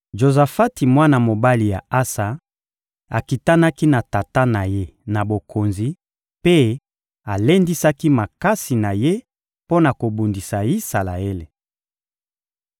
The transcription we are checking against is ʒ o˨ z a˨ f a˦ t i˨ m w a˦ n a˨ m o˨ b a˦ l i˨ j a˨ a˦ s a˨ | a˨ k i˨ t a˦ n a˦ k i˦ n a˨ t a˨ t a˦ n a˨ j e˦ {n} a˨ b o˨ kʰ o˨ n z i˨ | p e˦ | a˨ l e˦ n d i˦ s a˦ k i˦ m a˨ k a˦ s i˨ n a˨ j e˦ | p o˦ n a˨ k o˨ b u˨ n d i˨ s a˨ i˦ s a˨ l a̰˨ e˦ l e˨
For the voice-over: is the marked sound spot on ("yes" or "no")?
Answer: yes